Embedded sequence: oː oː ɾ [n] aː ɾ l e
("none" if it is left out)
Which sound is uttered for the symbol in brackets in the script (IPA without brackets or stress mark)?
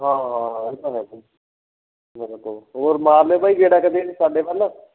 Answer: m